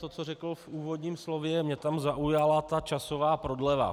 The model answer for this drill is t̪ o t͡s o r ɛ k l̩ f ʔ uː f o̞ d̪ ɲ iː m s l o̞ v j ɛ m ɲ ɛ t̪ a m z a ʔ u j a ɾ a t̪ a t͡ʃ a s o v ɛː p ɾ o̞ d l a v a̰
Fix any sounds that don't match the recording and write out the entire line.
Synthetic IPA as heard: t̪ o t͡s o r ɛ k l̩ f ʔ uː v o̞ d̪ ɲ iː m s l o̞ v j ɛ m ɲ ɛ t̪ a m z a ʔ u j a l a t̪ a t͡ʃ a s o v aː p ɾ o̞ d l ɛ v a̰